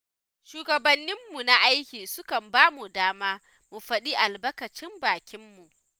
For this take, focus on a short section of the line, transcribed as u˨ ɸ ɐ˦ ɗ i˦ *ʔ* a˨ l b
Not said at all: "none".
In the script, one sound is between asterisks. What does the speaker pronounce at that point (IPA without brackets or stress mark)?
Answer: ʔ